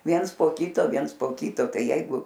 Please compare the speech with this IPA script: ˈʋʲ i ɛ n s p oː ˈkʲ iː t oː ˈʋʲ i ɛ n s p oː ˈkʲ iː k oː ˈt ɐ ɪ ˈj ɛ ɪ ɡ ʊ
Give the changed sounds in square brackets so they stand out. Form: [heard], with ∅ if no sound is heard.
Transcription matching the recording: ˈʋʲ i ɛ n s p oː ˈkʲ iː t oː ˈʋʲ i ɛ n s p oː ˈkʲ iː [t] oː ˈt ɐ ɪ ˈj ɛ ɪ ɡ ʊ